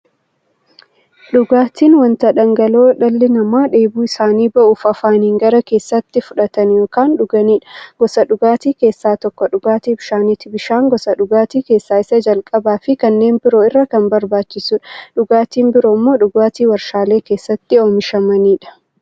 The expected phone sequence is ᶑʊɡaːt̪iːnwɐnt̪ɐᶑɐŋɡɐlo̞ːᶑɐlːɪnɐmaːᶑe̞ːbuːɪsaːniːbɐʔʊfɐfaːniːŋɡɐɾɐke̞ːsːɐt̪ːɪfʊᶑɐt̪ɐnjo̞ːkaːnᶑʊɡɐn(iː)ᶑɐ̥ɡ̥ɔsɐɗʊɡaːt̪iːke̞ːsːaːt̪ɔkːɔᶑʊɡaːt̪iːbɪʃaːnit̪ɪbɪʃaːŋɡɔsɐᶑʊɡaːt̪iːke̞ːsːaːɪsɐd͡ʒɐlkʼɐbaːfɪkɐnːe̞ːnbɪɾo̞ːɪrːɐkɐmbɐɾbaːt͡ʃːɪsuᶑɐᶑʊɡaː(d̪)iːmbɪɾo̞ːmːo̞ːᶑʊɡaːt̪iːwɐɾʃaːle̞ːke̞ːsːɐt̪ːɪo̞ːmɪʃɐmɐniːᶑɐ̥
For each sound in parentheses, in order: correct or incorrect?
correct, incorrect

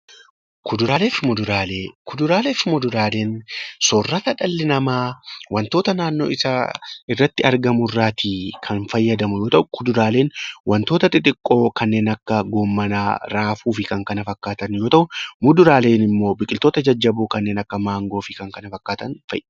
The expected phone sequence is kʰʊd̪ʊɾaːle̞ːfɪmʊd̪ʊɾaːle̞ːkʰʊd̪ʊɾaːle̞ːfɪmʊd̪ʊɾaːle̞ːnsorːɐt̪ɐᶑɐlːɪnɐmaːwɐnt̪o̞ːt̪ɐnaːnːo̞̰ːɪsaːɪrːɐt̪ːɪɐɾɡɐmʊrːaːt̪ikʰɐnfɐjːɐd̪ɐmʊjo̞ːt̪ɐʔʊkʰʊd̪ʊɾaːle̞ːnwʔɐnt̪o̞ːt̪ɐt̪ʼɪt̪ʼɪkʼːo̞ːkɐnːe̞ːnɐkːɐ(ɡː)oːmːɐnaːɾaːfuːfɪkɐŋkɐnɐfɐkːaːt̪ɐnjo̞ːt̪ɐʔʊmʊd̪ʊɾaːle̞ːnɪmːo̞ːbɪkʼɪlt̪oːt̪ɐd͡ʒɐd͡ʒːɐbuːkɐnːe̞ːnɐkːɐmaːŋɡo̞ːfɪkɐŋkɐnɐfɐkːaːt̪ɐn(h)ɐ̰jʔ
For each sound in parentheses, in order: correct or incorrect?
incorrect, incorrect

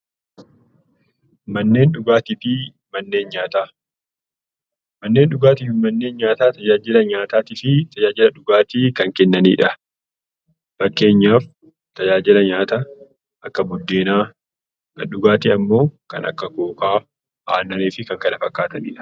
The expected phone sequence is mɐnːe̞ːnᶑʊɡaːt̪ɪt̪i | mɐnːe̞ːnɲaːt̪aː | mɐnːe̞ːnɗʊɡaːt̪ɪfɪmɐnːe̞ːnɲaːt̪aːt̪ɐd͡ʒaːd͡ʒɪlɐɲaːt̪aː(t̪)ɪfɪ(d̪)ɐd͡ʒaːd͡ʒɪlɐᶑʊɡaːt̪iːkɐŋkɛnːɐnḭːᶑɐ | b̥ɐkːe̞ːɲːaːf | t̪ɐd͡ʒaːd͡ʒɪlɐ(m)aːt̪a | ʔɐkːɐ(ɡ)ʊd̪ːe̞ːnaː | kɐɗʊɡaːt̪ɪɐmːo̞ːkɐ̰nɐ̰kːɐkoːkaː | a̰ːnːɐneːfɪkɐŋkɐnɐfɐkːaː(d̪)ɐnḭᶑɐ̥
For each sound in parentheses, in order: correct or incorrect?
correct, incorrect, incorrect, incorrect, incorrect

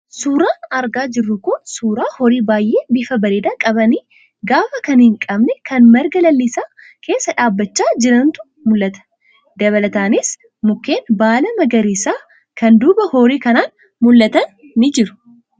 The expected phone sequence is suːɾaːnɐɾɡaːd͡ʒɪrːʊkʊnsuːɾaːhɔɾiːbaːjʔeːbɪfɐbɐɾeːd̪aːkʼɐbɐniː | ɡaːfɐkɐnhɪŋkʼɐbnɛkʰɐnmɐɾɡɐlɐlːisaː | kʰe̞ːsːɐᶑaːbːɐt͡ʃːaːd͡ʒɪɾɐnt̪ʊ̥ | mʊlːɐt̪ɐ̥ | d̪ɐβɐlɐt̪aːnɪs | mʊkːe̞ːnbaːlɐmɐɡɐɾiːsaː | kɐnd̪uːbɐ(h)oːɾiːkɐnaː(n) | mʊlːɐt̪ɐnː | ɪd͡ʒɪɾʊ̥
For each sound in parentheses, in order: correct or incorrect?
correct, correct

